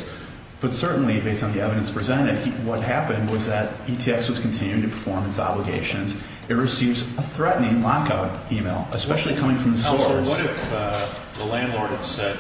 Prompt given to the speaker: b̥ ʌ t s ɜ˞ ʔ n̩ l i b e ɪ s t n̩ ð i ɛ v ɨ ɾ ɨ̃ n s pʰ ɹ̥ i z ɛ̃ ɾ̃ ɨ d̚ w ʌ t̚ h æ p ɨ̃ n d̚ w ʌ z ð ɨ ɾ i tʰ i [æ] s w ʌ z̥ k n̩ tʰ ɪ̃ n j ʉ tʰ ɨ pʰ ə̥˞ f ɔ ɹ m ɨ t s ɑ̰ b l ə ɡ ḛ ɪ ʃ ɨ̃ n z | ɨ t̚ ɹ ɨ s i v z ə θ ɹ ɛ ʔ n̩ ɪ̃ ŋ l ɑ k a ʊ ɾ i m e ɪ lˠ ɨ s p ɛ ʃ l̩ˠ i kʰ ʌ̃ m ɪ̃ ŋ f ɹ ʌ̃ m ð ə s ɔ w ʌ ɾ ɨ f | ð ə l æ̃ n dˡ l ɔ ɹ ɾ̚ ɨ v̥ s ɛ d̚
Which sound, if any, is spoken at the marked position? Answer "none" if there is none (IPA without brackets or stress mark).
ɛ